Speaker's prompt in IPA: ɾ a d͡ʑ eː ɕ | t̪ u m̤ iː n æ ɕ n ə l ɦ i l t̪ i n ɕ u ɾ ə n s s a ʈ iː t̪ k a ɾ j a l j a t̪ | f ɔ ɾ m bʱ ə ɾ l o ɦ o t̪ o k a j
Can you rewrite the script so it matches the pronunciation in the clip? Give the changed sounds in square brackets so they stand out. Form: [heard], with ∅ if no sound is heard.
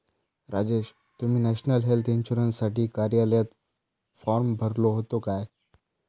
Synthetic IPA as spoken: ɾ a d͡ʑ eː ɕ | t̪ u m̤ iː n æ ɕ n ə l ɦ [e] l t̪ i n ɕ u ɾ ə n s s a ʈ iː [∅] k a ɾ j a l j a t̪ | f ɔ ɾ m bʱ ə ɾ l o ɦ o t̪ o k a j